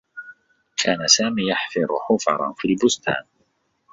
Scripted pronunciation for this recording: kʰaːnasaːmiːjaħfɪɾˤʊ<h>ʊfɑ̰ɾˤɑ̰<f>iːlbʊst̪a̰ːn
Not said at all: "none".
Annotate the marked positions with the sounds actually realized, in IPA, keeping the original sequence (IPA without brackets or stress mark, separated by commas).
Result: ħ, f